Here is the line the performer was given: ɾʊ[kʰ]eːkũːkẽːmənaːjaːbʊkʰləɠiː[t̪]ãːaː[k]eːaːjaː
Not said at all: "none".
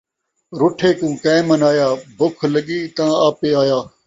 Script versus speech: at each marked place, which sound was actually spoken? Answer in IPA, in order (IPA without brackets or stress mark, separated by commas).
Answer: ʈʰ, t̪, p